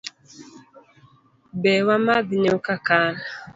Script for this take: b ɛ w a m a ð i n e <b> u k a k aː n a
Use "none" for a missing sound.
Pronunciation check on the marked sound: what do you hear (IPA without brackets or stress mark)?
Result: none